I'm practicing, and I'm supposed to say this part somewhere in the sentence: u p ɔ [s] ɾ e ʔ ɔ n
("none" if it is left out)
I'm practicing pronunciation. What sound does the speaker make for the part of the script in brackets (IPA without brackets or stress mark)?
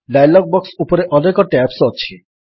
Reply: none